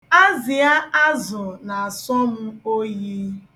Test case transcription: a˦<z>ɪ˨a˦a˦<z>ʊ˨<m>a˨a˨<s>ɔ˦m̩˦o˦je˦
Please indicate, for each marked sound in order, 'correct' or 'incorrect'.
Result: correct, correct, incorrect: n, correct

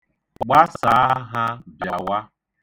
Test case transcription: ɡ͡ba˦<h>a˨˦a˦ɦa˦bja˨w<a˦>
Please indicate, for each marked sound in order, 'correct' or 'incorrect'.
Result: incorrect: s, correct

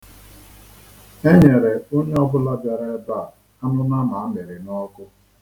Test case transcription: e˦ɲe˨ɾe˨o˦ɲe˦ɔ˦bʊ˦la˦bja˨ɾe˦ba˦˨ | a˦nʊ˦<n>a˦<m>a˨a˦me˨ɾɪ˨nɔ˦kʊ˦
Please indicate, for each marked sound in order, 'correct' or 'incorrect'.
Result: correct, correct

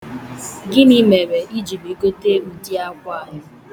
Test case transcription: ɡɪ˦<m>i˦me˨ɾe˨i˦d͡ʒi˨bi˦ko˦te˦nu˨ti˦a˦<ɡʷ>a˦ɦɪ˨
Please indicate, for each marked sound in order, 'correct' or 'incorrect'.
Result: incorrect: n, incorrect: kʷ

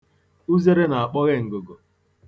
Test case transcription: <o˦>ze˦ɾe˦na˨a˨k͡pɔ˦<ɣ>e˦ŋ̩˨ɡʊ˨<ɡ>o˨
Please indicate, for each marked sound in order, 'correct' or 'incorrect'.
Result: incorrect: u˦, correct, correct

